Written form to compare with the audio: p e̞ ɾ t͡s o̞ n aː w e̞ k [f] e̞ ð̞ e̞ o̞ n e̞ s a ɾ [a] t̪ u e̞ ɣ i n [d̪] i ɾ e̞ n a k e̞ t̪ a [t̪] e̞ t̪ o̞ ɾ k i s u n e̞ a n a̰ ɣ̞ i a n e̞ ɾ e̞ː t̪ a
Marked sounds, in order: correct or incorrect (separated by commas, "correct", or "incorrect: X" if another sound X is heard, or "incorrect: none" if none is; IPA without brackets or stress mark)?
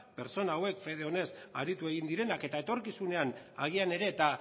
correct, incorrect: i, correct, incorrect: none